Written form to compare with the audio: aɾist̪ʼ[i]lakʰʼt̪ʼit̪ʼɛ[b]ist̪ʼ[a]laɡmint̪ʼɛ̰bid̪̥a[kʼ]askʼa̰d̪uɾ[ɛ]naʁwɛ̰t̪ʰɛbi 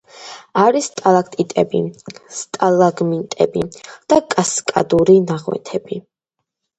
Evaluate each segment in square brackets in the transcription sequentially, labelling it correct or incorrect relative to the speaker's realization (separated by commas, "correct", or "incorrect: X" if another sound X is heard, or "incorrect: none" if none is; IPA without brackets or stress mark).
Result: incorrect: a, correct, correct, correct, incorrect: i